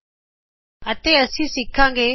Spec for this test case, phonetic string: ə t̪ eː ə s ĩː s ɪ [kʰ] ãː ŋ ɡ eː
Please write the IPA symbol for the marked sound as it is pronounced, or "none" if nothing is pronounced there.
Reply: kʰ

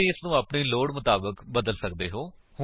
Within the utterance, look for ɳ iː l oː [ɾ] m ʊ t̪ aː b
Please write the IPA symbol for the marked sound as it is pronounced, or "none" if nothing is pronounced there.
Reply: ɽ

